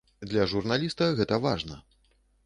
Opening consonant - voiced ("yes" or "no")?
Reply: yes